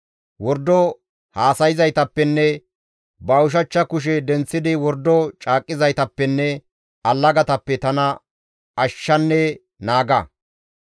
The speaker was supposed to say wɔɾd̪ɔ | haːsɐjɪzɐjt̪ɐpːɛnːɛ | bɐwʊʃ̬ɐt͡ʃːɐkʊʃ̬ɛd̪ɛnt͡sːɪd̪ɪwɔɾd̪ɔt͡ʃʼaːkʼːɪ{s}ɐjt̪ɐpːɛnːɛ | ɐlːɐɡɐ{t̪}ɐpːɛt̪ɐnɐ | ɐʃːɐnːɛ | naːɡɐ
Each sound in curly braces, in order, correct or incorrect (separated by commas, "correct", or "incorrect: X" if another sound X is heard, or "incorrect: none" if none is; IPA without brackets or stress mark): incorrect: z, correct